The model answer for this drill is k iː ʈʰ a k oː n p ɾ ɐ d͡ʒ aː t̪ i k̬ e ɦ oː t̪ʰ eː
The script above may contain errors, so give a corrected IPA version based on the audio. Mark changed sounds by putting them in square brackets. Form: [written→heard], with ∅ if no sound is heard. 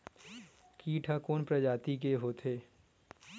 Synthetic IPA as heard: k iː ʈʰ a k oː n p ɾ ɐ d͡ʒ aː t̪ i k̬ e ɦ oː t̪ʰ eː